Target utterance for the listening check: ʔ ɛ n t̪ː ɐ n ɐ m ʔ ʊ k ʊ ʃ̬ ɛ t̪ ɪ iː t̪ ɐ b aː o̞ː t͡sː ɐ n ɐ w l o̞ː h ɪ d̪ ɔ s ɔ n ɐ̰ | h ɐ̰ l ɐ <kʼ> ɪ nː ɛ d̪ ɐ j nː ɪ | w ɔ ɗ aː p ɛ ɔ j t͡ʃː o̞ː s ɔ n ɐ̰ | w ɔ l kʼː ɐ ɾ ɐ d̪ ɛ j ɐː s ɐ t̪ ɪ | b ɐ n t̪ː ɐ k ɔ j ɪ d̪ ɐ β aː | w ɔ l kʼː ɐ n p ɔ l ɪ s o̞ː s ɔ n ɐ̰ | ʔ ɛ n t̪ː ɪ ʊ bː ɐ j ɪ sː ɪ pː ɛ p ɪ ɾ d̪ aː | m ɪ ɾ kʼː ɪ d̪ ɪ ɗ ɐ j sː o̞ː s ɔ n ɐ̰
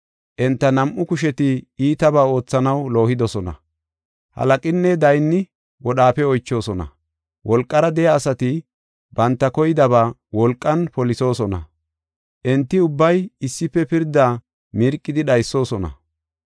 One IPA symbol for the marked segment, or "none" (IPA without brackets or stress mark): kʼ